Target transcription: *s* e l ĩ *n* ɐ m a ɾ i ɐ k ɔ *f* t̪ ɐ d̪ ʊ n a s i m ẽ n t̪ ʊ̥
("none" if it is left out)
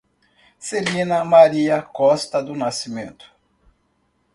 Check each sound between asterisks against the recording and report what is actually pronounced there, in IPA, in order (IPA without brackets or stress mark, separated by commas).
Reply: s, n, s